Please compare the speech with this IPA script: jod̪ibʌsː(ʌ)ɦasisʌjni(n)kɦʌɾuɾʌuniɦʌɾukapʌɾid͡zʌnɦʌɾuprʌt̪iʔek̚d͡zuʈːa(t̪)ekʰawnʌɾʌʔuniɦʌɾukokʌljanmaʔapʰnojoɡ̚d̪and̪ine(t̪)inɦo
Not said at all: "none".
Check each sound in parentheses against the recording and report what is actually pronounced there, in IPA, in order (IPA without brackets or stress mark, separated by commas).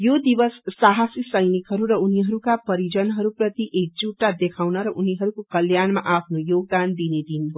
a, none, d̪, d̪